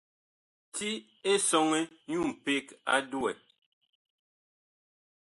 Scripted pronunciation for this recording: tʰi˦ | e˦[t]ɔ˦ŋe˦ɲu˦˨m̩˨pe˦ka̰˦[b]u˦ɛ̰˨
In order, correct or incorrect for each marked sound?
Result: incorrect, incorrect

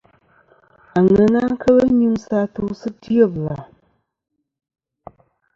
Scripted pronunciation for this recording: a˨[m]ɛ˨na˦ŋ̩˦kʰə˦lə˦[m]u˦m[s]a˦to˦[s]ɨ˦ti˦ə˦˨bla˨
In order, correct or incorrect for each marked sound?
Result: incorrect, incorrect, correct, correct

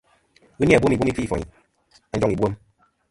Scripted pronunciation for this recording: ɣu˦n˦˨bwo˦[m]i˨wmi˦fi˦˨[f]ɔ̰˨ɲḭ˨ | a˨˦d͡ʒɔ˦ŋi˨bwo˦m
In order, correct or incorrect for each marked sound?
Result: correct, correct

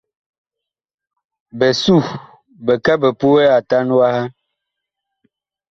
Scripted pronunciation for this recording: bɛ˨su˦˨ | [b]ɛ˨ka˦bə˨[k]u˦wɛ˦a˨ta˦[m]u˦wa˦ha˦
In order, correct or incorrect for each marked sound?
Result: correct, incorrect, incorrect

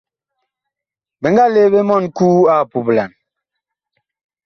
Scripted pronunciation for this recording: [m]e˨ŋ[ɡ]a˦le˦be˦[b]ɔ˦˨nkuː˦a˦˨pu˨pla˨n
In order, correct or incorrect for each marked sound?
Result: incorrect, correct, incorrect

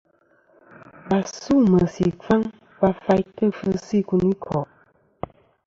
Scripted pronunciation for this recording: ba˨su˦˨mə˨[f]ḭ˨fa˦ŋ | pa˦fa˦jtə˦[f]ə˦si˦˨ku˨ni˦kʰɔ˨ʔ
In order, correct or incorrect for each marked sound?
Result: incorrect, correct

